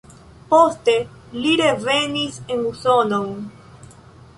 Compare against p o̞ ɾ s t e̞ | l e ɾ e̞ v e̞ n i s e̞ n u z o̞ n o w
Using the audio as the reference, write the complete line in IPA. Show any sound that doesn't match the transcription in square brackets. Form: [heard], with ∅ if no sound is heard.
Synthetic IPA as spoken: p o̞ [∅] s t e̞ | l [i] ɾ e̞ v e̞ n i s e̞ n u [s] o̞ n o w